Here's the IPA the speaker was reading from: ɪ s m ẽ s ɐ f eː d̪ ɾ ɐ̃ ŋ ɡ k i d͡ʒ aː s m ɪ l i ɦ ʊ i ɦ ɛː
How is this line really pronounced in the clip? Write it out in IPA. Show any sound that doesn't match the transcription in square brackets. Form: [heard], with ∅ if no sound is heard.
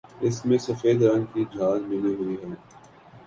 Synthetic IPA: ɪ s m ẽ s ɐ f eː d̪ ɾ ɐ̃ ŋ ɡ k i d͡ʒ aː [z] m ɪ l i ɦ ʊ i ɦ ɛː